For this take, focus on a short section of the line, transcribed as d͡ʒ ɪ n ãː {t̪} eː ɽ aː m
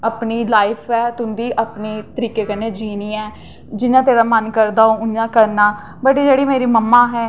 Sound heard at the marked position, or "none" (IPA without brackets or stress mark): t̪